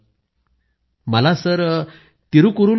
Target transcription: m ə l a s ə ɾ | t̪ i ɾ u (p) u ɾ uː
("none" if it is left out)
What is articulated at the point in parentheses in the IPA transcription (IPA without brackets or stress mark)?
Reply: k